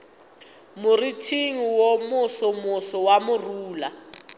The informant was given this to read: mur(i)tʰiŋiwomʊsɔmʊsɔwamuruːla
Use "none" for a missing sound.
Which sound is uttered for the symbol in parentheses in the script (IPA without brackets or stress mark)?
i